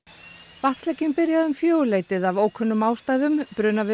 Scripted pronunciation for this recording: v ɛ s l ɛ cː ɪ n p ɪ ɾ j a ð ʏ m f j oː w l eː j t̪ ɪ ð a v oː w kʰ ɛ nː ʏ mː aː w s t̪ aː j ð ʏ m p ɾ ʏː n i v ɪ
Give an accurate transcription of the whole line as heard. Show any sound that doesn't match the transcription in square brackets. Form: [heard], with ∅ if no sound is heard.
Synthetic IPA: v [a] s l ɛ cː ɪ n p ɪ ɾ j a ð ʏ m f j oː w l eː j t̪ ɪ ð a v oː w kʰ [œ] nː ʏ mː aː w s t̪ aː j ð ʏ m p ɾ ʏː n [a] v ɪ